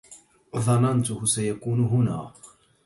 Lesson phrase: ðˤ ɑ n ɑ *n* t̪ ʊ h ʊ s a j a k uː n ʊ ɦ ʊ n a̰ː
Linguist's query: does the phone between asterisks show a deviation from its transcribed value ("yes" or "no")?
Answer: no